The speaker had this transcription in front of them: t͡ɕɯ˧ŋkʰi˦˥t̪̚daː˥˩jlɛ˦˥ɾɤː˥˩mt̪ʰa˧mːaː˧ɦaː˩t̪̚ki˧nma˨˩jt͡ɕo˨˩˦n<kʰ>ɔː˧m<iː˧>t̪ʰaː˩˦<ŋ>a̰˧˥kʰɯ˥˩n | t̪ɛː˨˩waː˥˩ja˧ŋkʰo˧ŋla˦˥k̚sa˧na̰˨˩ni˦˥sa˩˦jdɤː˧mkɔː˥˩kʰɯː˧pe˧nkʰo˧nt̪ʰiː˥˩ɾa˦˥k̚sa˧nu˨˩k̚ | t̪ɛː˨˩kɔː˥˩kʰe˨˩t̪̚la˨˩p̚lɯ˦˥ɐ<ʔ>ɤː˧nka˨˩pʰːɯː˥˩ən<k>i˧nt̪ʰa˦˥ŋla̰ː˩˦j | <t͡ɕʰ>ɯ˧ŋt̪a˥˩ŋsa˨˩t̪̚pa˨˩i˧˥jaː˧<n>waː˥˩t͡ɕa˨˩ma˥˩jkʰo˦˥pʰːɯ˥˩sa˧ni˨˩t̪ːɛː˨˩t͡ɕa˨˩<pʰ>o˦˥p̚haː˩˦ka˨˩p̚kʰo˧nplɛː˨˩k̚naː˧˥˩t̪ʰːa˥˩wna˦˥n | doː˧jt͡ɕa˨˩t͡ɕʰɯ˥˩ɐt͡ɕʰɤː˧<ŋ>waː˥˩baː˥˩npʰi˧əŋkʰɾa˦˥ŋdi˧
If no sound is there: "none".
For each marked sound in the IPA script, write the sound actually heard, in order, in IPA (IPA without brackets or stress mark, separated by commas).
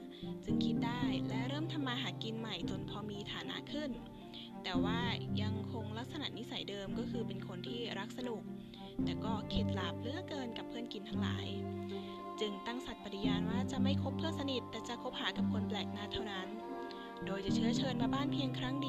pʰ, iː˧, n, k, k, t͡ɕ, n, kʰ, n